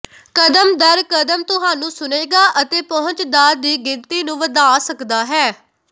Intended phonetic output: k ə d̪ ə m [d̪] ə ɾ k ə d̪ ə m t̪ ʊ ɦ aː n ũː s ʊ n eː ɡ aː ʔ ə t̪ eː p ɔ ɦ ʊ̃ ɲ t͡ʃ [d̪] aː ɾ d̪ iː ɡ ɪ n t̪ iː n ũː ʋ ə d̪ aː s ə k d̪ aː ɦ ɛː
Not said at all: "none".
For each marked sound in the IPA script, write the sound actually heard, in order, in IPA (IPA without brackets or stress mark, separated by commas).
d̪, d̪